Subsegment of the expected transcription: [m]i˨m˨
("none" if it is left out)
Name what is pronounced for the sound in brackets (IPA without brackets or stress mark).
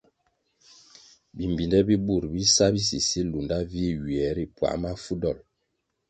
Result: b